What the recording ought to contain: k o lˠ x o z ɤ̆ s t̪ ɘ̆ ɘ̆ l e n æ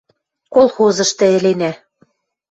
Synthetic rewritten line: k o lˠ x o z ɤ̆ ʃ t̪ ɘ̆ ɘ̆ l e n æ